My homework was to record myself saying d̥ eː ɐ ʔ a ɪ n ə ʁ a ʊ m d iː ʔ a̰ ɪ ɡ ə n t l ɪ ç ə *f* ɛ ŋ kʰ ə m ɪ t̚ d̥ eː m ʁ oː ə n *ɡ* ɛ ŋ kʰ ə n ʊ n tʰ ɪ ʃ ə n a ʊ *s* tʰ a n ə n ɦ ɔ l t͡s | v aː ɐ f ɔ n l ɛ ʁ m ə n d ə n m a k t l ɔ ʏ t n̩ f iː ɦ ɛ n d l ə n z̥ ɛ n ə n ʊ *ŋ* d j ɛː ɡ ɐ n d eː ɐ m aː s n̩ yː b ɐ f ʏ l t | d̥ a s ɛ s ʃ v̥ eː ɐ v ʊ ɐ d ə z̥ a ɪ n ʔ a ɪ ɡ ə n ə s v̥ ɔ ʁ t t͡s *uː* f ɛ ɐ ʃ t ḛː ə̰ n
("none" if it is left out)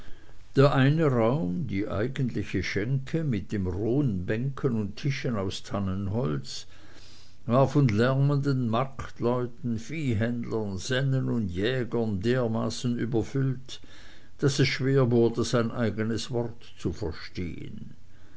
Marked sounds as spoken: ʃ, b, s, n, u

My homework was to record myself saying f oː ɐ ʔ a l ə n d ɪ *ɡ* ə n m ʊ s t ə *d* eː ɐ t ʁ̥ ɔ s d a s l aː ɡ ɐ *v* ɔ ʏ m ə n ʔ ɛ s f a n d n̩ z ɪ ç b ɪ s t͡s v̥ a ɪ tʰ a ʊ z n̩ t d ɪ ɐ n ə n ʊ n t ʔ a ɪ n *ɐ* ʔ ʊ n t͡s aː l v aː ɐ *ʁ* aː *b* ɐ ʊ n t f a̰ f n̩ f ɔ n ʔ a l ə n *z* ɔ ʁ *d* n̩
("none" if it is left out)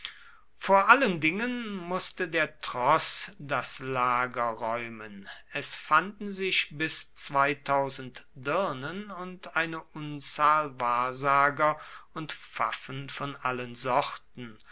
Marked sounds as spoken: ŋ, d, ʁ, ə, z, ɡ, z, t

